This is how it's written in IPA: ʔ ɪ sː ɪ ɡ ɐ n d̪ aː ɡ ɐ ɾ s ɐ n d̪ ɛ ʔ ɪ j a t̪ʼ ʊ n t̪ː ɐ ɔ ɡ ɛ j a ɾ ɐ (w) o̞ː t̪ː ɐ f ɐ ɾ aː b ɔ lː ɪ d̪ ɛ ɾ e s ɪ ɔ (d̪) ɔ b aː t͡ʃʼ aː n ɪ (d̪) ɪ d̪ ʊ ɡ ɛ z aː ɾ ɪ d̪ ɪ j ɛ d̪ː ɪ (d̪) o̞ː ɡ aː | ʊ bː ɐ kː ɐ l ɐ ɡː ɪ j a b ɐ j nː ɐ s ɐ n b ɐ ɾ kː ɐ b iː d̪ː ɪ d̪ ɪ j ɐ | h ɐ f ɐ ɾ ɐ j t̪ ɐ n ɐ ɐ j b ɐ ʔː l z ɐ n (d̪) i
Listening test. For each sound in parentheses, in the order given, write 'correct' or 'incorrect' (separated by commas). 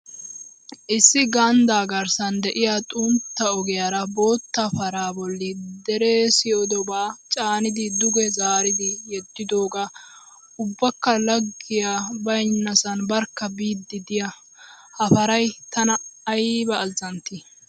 incorrect, correct, correct, correct, incorrect